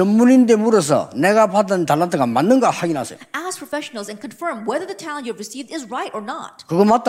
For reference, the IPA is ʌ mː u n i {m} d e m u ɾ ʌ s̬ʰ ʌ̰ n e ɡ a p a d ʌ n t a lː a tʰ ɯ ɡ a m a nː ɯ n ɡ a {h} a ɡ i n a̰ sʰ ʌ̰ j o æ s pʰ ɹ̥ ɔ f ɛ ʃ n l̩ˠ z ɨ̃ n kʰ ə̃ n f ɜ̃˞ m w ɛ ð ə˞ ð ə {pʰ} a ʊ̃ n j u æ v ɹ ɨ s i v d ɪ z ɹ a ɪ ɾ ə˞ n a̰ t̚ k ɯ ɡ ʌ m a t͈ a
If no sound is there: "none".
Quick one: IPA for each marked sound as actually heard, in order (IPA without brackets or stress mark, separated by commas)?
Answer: n, h, tʰ